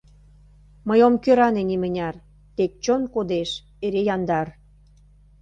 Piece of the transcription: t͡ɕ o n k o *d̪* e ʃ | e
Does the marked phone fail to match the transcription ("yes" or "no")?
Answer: no